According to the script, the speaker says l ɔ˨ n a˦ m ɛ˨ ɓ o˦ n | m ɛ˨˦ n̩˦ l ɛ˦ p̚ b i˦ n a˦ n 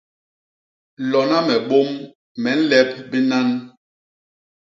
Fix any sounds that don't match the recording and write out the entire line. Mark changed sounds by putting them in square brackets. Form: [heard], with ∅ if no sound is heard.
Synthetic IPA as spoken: l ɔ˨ n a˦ m ɛ˨ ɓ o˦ [m] | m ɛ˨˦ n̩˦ l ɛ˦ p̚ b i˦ n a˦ n